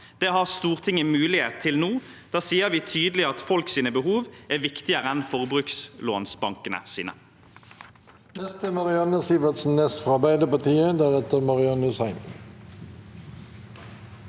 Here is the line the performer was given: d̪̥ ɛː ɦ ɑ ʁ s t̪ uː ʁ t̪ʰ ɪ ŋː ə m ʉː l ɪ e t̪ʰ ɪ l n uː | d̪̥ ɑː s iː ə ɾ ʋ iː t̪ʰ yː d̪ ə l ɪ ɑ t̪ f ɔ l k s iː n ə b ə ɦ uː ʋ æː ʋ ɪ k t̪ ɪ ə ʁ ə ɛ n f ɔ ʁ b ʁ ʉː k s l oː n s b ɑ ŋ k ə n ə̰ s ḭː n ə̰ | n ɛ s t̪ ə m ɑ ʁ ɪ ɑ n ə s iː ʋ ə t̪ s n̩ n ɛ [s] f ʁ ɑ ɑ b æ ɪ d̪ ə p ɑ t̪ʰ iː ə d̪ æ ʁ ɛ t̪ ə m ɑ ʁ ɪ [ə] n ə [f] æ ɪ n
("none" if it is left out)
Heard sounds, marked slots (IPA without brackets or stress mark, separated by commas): s, ɑ, s